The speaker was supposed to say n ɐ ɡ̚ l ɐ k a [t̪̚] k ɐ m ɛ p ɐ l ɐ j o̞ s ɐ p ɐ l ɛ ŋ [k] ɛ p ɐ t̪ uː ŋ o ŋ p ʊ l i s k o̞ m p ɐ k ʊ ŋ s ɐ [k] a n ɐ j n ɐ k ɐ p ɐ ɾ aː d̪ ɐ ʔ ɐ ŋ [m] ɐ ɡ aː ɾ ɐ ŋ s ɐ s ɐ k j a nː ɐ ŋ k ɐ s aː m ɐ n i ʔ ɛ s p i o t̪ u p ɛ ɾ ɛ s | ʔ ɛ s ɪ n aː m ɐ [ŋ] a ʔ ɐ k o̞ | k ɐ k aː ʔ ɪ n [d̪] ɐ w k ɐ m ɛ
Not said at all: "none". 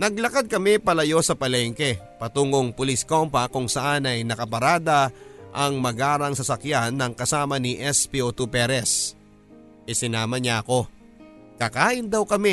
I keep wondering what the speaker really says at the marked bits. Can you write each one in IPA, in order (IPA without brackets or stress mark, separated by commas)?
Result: d̪̚, k, ʔ, m, ɲ, d̪